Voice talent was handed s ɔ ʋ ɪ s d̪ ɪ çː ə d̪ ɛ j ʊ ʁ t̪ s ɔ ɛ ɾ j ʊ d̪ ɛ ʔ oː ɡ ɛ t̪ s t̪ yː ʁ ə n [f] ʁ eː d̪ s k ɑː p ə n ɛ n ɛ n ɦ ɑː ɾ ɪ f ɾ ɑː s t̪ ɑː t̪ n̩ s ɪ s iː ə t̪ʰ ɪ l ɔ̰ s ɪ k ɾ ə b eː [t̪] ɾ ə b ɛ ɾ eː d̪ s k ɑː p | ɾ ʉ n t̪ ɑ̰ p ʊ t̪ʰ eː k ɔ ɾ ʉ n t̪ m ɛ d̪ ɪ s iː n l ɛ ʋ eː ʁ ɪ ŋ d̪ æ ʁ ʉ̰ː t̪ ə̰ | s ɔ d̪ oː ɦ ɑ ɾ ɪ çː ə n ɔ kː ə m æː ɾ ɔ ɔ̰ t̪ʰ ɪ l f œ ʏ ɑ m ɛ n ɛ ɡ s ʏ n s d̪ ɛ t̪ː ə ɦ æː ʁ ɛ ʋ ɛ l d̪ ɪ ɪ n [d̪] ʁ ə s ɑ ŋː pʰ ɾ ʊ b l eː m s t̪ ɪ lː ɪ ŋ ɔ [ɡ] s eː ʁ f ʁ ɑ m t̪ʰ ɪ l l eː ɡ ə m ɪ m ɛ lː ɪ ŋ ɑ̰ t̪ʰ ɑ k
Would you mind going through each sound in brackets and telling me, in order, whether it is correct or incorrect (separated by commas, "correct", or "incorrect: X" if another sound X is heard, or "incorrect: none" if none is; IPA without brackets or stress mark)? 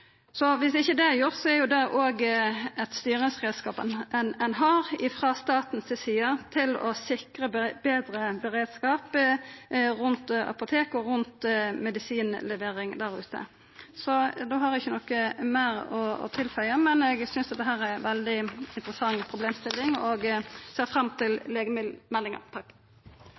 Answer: incorrect: s, incorrect: d̪, incorrect: t̪, correct